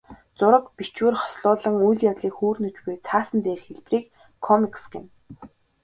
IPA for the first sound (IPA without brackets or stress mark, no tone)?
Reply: t͡s